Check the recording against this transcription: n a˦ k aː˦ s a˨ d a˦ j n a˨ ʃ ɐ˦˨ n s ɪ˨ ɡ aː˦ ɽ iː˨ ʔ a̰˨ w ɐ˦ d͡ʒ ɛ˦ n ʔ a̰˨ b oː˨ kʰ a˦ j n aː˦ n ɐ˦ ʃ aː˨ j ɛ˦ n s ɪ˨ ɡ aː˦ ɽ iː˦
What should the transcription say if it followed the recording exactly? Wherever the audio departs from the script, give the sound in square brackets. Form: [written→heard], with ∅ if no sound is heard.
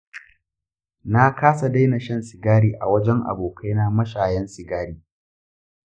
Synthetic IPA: n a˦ k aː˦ s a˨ d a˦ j n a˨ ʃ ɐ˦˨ n s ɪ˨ ɡ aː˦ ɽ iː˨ ʔ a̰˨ w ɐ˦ d͡ʒ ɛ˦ [n→ŋ] ʔ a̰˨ b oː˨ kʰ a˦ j n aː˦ [n→m] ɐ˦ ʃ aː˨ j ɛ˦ n s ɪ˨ ɡ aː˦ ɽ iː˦